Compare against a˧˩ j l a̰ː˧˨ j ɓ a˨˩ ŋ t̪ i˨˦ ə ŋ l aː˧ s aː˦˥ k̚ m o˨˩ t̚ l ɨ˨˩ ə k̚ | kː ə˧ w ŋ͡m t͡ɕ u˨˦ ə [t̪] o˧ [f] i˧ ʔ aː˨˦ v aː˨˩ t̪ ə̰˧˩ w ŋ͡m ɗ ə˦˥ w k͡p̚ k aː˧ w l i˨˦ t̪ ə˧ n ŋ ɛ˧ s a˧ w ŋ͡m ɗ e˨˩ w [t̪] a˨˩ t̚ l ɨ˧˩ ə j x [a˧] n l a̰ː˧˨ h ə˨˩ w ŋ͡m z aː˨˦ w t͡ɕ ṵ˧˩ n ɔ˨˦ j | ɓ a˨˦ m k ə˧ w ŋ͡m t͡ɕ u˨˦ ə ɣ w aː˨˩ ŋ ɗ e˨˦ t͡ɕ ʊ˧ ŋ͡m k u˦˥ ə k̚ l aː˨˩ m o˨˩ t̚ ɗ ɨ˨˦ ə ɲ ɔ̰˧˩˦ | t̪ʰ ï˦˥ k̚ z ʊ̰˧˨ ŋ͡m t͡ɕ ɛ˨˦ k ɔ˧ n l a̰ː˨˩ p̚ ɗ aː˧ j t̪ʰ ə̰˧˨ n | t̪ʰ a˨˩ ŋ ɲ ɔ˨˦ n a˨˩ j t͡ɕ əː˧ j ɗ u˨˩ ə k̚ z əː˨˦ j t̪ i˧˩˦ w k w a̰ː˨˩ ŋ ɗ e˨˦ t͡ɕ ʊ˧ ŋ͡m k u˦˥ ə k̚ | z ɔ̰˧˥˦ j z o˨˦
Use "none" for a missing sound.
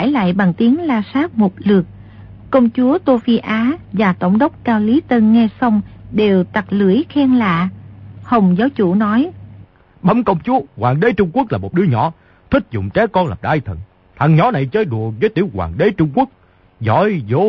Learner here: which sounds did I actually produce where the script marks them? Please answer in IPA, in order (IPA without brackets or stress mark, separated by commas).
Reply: t̪, f, t̪, ɛ˧